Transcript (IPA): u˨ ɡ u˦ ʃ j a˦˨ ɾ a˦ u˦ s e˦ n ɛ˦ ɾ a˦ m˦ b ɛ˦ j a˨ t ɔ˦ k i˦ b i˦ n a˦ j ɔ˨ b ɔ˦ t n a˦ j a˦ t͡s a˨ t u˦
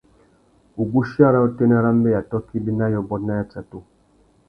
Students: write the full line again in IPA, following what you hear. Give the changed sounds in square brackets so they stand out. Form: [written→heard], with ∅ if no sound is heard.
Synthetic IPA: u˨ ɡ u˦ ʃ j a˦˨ ɾ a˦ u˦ [s→t] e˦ n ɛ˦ ɾ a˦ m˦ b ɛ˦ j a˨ t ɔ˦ k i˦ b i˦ n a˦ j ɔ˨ b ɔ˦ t n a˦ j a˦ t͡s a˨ t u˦